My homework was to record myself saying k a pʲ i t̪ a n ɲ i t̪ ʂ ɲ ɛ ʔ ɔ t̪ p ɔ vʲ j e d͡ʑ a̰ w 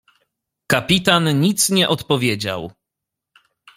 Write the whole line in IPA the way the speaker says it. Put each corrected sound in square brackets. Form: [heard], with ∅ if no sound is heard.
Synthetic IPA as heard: k a pʲ i t̪ a n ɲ i t̪ [s] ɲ ɛ ʔ ɔ t̪ p ɔ vʲ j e d͡ʑ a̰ w